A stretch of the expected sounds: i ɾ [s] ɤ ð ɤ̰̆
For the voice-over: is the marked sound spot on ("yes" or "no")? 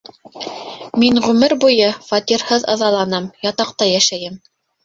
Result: no